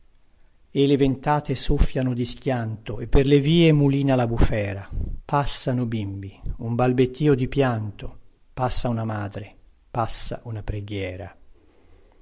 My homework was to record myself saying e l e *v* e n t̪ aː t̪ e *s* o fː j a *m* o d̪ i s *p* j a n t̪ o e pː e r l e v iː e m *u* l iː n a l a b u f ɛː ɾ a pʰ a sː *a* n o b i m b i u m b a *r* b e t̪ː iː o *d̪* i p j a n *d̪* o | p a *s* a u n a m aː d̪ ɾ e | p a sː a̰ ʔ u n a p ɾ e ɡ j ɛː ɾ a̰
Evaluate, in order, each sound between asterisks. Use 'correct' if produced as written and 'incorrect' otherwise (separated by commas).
correct, correct, incorrect, incorrect, correct, correct, incorrect, correct, incorrect, incorrect